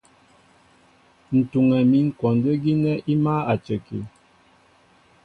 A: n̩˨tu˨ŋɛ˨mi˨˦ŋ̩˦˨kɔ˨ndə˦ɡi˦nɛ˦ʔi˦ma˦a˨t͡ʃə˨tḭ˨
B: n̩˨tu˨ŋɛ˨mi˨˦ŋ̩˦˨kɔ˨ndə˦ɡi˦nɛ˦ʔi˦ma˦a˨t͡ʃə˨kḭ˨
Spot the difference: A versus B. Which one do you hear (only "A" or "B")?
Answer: B